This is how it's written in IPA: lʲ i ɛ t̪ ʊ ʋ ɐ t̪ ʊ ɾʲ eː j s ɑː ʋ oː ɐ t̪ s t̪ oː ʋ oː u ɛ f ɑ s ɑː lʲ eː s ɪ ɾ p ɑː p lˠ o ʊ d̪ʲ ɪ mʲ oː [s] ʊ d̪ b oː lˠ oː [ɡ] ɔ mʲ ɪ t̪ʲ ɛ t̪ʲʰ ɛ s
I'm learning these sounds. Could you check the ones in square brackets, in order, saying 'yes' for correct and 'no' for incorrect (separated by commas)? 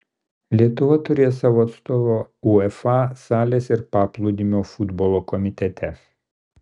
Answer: no, no